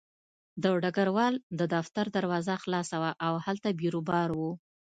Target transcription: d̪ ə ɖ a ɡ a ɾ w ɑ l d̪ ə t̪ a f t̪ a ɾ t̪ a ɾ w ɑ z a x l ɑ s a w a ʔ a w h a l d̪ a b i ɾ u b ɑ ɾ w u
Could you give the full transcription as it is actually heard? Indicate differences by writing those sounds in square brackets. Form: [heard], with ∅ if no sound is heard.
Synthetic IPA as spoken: d̪ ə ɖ a ɡ a ɾ w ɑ l d̪ ə [d̪] a f t̪ a ɾ [d̪] a ɾ w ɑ z a x l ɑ s a w a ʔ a w h a l [t̪] a b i ɾ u b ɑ ɾ w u